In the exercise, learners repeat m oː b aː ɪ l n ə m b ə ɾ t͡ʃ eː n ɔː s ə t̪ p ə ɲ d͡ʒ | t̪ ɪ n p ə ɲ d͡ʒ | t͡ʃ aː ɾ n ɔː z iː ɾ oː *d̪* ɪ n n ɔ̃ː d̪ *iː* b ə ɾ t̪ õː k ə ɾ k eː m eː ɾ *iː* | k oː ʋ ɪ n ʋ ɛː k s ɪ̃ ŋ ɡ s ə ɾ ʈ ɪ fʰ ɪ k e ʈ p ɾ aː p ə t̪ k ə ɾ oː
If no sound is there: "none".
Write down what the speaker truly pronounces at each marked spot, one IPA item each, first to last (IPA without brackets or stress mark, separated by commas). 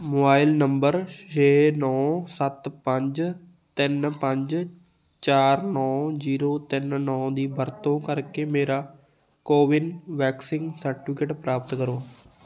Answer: t̪, iː, aː